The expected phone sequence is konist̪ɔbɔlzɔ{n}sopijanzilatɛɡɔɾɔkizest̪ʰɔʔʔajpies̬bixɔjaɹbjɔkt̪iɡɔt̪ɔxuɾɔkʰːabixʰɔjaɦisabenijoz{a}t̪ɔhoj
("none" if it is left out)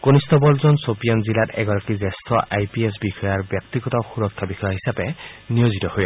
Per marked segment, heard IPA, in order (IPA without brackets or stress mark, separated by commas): n, i